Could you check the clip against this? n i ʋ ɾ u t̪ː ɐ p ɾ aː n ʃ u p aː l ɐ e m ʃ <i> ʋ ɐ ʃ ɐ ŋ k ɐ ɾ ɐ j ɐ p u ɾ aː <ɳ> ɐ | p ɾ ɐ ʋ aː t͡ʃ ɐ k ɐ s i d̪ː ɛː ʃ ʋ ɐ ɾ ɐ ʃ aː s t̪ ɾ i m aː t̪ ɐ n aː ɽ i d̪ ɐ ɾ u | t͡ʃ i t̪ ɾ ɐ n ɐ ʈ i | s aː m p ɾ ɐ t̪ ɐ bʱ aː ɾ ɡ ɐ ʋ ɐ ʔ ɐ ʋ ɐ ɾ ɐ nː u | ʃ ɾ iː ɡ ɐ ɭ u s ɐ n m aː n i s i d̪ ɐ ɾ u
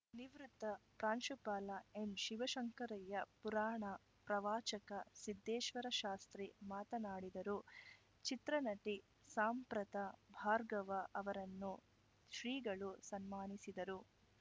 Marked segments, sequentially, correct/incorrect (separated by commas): correct, correct